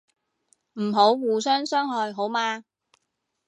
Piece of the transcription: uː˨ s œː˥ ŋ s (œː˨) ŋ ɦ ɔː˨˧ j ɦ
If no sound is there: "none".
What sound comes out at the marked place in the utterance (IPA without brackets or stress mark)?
œː˥